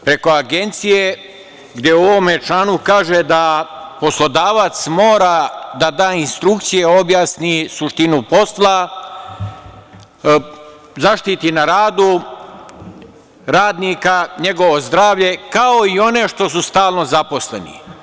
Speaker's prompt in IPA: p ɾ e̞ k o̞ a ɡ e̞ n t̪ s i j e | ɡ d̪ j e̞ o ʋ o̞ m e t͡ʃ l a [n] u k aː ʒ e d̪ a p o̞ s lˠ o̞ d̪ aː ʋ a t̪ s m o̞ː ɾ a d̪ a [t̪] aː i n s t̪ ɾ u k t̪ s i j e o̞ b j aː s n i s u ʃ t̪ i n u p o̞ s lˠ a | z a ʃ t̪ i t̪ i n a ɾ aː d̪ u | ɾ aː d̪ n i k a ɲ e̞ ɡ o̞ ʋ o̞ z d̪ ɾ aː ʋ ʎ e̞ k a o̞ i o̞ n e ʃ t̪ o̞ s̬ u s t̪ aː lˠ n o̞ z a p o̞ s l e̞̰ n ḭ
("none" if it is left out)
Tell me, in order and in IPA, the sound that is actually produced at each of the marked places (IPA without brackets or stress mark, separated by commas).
n, d̪